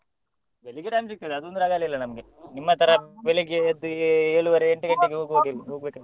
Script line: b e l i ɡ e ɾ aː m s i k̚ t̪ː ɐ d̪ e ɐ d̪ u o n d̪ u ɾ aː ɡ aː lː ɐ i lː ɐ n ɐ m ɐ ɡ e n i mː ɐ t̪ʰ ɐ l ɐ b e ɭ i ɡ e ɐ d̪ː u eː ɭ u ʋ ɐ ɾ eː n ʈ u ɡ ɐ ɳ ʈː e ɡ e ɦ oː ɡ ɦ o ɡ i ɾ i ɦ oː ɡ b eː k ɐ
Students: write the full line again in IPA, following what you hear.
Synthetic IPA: b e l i ɡ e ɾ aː m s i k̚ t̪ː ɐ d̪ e ɐ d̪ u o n d̪ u ɾ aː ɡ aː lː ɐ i lː ɐ n ɐ m ɐ ɡ e n i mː ɐ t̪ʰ ɐ ɾ ɐ b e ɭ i ɡ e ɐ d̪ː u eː ɭ u ʋ ɐ ɾ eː ɳ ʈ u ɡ ɐ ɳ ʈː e ɡ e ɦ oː ɡ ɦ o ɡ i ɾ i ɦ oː ɡ b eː k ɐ